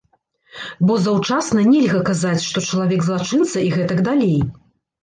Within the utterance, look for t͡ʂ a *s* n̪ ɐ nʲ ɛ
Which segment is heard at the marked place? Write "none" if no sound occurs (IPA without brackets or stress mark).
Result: s